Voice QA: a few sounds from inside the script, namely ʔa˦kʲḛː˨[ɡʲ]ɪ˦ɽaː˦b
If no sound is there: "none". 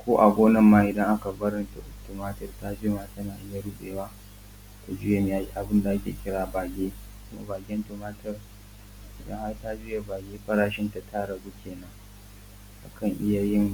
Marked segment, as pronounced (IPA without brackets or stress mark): kʲ